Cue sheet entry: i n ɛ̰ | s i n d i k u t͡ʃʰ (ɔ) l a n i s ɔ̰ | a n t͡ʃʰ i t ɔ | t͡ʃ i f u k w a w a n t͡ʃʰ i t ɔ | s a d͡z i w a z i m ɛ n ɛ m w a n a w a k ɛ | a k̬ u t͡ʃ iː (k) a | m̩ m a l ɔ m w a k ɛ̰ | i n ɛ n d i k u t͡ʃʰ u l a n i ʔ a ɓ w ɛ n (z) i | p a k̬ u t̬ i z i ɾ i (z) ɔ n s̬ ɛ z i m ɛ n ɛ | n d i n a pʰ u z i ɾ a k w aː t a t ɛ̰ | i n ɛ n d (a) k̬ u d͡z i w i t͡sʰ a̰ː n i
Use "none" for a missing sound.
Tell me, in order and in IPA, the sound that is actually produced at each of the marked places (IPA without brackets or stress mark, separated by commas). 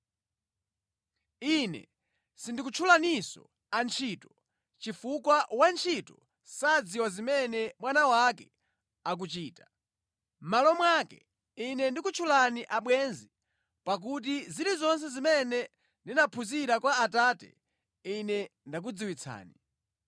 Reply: u, t, z, z, a